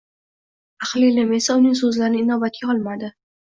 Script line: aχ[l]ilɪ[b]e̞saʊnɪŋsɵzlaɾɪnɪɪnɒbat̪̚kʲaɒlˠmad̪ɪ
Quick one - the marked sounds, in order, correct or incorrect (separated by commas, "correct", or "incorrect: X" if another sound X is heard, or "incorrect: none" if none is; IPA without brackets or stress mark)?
correct, incorrect: m